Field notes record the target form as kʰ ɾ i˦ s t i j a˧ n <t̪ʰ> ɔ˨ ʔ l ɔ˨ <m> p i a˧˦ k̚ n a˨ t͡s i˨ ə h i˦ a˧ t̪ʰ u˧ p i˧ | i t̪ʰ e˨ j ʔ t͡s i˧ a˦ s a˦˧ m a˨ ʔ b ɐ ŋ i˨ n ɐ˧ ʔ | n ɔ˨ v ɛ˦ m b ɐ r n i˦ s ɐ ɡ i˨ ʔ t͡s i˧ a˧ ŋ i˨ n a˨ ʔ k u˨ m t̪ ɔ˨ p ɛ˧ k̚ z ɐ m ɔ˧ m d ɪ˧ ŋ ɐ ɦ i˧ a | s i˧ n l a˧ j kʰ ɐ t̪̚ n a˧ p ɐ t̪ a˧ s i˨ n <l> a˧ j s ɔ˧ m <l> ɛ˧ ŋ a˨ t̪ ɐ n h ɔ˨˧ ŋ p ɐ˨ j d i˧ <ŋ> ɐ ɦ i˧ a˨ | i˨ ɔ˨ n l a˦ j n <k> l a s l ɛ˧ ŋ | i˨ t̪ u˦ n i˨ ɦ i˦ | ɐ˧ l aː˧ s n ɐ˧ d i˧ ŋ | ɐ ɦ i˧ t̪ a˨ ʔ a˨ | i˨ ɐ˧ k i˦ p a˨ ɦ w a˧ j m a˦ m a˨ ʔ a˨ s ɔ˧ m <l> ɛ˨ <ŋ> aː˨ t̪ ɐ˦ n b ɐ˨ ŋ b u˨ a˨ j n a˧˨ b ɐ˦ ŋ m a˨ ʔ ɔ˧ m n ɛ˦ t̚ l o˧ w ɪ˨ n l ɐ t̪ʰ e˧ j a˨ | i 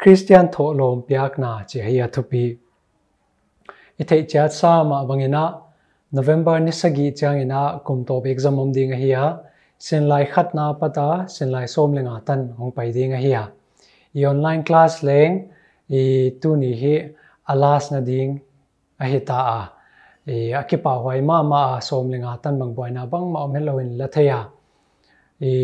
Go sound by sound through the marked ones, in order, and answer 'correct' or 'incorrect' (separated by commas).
correct, correct, correct, correct, correct, correct, correct, correct